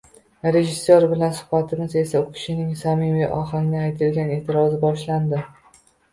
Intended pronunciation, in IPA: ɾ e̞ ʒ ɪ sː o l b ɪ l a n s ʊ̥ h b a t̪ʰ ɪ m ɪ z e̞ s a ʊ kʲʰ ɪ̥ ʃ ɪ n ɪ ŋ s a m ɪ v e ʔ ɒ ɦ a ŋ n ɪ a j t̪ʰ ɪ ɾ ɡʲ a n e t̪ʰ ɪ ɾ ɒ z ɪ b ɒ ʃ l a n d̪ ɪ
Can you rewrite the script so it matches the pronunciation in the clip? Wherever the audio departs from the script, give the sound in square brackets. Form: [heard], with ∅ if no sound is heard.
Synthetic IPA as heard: ɾ e̞ ʒ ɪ sː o [ɾ] b ɪ l a n s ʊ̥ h b a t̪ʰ ɪ m ɪ z e̞ s a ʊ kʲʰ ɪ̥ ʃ ɪ n ɪ ŋ s a m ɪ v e ʔ ɒ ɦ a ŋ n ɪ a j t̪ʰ ɪ [l] ɡʲ a n e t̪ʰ ɪ ɾ ɒ z ɪ b ɒ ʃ l a n d̪ ɪ